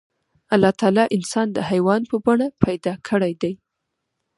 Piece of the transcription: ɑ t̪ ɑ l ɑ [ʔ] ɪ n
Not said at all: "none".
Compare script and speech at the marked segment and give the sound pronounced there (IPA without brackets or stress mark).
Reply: ʔ